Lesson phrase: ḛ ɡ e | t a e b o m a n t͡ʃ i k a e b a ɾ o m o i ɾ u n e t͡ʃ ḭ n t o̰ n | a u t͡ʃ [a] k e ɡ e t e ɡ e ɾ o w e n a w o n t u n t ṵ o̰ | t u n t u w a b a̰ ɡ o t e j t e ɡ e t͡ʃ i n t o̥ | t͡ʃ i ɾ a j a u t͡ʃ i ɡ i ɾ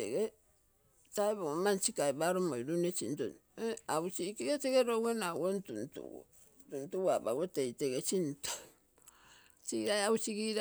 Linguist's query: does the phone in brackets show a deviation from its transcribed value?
yes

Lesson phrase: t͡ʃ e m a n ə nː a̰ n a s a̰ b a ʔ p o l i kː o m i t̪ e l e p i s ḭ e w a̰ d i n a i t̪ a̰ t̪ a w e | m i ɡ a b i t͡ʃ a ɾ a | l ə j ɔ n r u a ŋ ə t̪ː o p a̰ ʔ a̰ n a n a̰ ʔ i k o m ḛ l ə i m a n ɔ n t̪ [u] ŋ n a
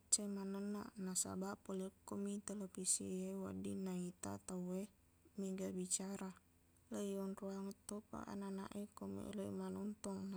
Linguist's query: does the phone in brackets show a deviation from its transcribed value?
yes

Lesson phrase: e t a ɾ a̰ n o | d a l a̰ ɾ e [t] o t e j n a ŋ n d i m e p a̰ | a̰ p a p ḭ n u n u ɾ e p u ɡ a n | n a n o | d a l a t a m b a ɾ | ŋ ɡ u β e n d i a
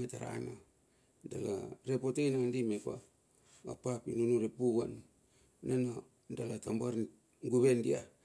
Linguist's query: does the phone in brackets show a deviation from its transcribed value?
yes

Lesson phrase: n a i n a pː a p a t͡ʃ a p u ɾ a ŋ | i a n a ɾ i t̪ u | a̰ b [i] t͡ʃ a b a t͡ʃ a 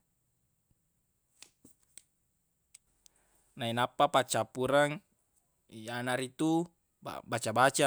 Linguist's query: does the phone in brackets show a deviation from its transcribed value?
yes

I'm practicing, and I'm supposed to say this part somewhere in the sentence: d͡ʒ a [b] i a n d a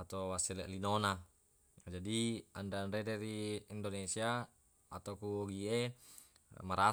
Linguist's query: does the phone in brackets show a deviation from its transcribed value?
yes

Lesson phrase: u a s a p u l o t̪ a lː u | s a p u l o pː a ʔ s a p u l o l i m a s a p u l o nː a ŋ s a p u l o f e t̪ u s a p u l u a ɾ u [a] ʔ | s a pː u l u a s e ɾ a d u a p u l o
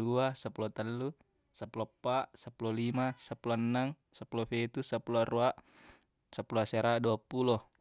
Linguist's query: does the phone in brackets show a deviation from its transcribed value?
no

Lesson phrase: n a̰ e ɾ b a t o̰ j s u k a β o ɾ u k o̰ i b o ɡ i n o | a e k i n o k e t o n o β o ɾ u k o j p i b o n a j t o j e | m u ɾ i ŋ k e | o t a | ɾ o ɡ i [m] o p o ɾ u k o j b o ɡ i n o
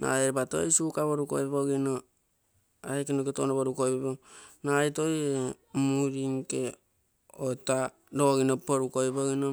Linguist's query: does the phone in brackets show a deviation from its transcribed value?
yes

